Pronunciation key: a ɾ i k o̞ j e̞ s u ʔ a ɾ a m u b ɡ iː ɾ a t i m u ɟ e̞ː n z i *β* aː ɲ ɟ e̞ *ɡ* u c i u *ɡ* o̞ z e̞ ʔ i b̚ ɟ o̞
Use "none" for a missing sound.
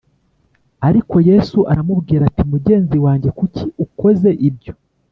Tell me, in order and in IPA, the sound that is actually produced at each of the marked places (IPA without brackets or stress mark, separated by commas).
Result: w, k, k